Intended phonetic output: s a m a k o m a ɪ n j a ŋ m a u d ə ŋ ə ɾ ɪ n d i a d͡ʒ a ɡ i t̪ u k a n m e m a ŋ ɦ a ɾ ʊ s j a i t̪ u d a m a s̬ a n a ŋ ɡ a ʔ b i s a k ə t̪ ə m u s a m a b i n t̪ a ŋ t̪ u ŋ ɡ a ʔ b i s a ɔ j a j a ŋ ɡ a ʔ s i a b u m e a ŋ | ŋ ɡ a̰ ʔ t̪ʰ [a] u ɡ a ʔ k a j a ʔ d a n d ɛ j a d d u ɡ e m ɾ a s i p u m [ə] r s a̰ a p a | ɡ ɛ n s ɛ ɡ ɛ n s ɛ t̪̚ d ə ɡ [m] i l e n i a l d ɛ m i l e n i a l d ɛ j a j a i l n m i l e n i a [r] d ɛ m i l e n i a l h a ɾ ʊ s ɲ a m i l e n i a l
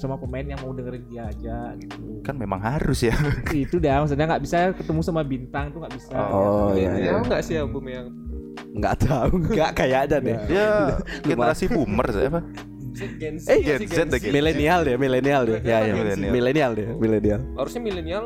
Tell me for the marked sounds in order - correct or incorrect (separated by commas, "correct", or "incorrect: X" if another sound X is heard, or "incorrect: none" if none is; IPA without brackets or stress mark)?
correct, correct, correct, incorrect: l